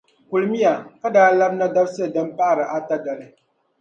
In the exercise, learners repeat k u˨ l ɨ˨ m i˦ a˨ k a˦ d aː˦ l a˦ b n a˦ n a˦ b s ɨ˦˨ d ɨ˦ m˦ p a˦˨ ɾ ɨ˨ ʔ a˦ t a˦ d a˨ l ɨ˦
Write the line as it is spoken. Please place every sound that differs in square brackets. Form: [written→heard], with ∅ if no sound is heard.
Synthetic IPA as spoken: k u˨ l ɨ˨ m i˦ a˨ k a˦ d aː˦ l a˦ b n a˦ [n→d] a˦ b s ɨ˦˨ d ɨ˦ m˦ p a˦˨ ɾ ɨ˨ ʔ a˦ t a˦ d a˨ l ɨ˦